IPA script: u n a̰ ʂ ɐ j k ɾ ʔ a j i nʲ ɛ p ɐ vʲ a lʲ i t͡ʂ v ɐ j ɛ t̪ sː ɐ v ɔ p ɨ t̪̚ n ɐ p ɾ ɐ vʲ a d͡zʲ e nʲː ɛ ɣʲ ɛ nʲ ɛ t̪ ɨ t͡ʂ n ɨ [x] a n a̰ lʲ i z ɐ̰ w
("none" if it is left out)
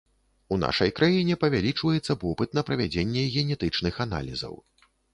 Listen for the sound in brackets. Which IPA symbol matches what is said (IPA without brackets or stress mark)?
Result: x